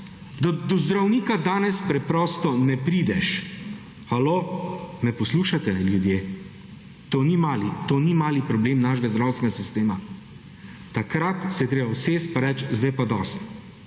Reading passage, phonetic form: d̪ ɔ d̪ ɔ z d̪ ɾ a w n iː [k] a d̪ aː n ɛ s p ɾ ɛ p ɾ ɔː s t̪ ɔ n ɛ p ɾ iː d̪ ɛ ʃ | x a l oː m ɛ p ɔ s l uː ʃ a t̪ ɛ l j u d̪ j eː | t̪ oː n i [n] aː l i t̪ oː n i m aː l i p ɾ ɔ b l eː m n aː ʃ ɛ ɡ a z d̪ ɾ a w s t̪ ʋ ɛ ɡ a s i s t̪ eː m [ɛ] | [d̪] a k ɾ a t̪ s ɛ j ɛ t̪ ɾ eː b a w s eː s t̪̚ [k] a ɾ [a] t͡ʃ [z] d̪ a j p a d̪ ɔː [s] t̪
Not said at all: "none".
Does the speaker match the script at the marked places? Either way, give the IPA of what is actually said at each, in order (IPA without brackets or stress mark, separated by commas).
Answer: k, m, a, t̪, p, ɛ, z, s